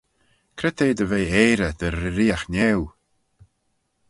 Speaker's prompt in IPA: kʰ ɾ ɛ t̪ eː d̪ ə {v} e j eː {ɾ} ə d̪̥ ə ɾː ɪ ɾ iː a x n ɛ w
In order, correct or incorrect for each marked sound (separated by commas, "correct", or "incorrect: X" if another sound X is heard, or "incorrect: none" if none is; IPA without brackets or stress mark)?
correct, correct